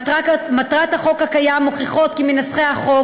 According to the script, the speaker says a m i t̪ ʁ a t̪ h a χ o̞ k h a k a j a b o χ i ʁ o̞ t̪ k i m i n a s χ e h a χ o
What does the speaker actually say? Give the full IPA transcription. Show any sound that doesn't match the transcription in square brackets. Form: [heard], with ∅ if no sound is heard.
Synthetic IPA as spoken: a m [a] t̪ ʁ a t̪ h a χ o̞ k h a k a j a [m] o χ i [χ] o̞ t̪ k i m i n a s χ e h a χ o